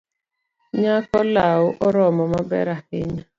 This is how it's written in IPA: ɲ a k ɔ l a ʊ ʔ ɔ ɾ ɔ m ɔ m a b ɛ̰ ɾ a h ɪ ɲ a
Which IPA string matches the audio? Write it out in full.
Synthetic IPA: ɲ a k ɔ l a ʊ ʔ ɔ ɾ ɔ m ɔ m a b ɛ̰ ɾ a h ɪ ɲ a